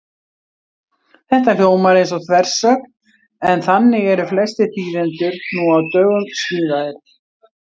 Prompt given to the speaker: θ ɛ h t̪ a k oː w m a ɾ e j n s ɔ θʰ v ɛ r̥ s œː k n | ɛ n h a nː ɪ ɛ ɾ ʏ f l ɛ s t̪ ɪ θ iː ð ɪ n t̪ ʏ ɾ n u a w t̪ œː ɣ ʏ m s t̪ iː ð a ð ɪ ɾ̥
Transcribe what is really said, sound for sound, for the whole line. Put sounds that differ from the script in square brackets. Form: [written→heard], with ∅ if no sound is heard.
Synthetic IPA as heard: θ ɛ h t̪ a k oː w m a ɾ e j n s ɔ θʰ v ɛ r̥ s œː k n | ɛ n [h→θ] a nː ɪ ɛ ɾ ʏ f l ɛ s t̪ ɪ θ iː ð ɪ n t̪ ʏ ɾ n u a w t̪ œː ɣ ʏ m s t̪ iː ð a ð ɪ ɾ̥